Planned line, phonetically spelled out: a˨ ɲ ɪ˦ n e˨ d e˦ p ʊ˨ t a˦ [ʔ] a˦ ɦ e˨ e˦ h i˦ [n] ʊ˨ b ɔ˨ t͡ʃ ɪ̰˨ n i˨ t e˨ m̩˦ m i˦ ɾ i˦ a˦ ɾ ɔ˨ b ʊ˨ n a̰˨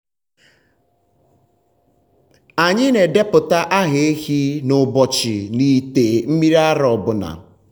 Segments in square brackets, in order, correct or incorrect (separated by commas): correct, correct